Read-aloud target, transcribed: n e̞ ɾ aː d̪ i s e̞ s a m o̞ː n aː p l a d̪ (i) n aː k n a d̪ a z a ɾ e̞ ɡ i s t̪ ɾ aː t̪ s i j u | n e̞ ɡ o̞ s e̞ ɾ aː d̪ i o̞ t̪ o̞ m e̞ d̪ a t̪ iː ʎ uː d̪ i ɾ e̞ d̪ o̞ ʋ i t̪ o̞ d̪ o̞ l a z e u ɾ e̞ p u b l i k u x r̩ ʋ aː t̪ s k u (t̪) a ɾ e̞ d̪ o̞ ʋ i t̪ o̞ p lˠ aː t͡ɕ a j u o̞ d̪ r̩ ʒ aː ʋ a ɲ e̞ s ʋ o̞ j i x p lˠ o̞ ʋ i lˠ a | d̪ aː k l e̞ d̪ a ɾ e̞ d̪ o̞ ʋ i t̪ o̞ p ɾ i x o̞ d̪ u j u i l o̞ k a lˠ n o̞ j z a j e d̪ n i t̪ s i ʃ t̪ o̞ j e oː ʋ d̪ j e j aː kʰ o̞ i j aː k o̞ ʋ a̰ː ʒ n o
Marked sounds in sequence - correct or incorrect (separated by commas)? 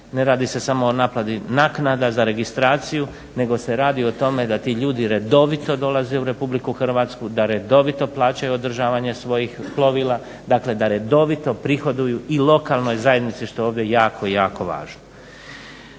correct, incorrect